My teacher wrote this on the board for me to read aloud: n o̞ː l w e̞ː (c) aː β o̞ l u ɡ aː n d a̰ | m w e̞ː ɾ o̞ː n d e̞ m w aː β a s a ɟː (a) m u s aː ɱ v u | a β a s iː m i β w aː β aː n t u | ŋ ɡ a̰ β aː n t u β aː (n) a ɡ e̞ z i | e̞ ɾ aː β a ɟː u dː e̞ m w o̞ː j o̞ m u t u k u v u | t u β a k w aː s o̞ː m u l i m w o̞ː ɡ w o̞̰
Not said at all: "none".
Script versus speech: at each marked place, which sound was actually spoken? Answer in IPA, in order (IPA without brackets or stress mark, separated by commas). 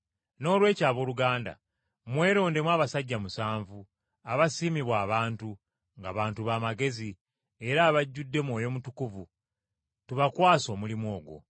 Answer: c, a, m